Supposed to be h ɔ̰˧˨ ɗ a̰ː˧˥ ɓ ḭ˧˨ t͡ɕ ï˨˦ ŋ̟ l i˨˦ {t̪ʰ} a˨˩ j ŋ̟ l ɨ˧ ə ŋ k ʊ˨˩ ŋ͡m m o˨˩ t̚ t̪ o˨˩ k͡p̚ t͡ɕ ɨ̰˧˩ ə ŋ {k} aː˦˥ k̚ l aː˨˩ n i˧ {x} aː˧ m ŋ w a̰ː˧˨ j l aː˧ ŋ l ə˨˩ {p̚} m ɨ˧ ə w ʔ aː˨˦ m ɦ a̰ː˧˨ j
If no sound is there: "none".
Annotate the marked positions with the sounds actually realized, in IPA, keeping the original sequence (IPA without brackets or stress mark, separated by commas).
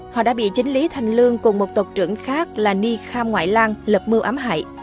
t̪ʰ, x, x, p̚